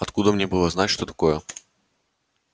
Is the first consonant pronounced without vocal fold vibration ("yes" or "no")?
yes